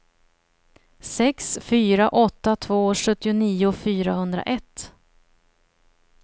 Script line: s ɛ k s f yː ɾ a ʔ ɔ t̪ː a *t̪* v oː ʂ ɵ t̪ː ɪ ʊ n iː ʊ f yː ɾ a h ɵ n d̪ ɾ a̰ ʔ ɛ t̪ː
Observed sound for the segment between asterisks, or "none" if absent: t̪ʰ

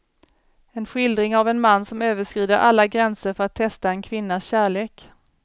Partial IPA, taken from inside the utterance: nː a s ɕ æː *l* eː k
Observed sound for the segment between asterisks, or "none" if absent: ɭ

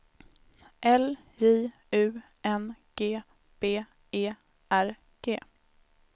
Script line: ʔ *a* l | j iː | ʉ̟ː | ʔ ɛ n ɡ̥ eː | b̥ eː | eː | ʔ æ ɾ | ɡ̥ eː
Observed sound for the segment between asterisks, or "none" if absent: ɛ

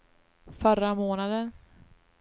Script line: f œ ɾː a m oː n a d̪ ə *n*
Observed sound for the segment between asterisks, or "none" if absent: n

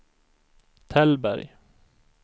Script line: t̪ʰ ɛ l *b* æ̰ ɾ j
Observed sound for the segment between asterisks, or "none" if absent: b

